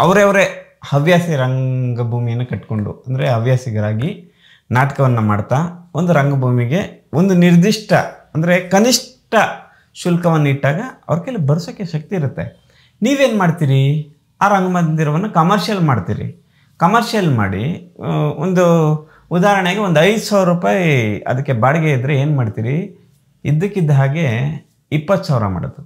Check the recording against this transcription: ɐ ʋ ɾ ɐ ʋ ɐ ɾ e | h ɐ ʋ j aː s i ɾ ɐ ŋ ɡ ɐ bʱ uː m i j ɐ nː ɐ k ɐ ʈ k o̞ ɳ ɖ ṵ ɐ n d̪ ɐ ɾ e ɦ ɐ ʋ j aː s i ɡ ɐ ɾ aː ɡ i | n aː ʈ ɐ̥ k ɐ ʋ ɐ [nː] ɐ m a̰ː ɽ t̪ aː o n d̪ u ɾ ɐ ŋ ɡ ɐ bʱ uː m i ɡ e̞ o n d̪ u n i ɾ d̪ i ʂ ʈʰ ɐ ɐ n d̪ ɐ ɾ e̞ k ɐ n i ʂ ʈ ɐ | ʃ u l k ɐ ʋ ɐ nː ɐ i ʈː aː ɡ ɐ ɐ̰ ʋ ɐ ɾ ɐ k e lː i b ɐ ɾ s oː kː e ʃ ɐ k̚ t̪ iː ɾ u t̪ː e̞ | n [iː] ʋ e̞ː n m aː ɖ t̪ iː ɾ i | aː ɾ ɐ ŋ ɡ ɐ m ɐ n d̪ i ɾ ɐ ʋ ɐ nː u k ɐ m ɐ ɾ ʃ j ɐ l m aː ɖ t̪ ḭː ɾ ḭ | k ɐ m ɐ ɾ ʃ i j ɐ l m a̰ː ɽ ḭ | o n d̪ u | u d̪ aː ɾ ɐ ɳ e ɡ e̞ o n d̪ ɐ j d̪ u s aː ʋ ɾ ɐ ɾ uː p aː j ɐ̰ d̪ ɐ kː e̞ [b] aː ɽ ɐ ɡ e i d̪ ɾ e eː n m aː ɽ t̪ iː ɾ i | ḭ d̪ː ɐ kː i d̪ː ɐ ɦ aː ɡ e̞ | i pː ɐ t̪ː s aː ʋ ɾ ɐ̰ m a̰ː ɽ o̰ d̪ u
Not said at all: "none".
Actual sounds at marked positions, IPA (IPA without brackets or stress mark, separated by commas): nː, iː, b